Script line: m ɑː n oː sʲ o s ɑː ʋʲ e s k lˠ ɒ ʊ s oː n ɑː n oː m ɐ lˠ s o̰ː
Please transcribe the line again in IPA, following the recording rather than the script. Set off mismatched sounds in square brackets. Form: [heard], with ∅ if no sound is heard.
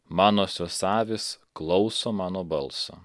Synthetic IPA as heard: m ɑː n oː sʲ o s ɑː ʋʲ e s k lˠ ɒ ʊ s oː [m] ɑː n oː [b] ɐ lˠ s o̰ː